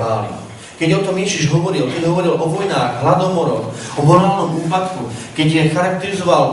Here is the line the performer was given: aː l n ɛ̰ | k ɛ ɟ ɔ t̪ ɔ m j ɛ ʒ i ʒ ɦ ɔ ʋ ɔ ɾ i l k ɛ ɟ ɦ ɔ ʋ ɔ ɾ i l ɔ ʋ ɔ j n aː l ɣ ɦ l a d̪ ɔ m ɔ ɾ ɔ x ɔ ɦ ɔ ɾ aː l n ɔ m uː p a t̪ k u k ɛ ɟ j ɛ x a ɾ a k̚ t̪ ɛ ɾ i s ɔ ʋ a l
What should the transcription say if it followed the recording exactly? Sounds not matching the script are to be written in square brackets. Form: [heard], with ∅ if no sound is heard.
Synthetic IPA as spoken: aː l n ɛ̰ | k ɛ ɟ ɔ t̪ ɔ m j ɛ ʒ i ʒ ɦ ɔ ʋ ɔ ɾ i l k ɛ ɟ ɦ ɔ ʋ ɔ ɾ i l ɔ ʋ ɔ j n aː [∅] ɣ ɦ l a d̪ ɔ m ɔ ɾ ɔ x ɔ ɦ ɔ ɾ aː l n ɔ m uː p a t̪ k u k ɛ ɟ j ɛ x a ɾ a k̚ t̪ ɛ ɾ i [z] ɔ ʋ a l